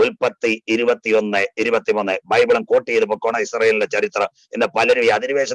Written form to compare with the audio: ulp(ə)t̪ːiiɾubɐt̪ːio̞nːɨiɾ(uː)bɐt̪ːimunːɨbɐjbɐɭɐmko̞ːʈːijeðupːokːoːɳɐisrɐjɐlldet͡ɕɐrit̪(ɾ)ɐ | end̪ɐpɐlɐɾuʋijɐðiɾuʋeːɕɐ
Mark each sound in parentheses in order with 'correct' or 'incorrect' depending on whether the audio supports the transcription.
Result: incorrect: ɐ, incorrect: u, incorrect: r

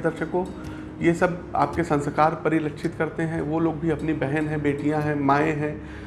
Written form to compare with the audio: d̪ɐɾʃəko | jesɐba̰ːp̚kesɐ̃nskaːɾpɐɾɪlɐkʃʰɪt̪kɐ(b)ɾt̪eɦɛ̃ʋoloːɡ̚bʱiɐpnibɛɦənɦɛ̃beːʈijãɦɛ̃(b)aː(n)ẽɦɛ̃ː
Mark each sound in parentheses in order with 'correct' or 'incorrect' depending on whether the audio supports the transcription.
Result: incorrect: none, incorrect: m, incorrect: none

